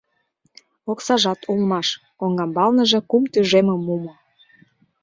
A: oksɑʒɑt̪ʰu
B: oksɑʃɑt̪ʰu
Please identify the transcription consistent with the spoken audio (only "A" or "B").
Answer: A